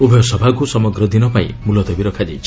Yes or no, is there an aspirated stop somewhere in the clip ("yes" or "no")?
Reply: yes